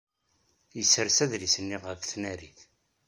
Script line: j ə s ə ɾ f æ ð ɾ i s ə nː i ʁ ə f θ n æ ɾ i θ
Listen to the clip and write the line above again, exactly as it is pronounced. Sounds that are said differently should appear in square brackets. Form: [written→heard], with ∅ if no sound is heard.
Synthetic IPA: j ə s ə ɾ [f→s] æ ð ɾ i s ə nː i ʁ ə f θ n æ ɾ i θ